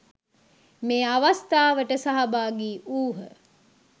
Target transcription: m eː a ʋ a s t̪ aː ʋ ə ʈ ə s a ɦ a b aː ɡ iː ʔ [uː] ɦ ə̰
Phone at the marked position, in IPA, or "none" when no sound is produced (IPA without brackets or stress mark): uː